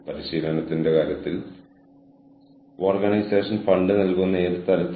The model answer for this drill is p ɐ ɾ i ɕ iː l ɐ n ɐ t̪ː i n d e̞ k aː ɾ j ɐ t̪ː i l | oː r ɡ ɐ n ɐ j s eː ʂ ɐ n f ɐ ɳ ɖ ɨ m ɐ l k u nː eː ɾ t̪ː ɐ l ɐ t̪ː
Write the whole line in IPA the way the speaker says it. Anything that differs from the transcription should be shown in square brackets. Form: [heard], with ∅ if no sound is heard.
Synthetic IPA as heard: p ɐ ɾ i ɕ iː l ɐ n ɐ t̪ː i n d e̞ k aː ɾ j ɐ t̪ː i l | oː r ɡ ɐ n ɐ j s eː ʂ ɐ n f ɐ ɳ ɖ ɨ [n] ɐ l k u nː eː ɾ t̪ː ɐ l ɐ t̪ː

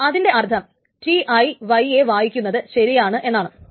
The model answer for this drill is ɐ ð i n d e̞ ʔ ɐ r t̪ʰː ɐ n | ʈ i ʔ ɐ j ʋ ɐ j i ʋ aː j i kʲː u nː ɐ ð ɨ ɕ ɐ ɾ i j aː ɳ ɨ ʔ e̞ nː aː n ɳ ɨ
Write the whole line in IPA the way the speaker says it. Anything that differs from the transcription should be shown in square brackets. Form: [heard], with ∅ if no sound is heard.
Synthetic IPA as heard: ɐ ð i n d e̞ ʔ ɐ r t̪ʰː ɐ [m] | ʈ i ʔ ɐ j ʋ ɐ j [e] ʋ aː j i kʲː u nː ɐ ð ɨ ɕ ɐ ɾ i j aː ɳ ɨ ʔ e̞ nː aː [∅] ɳ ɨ

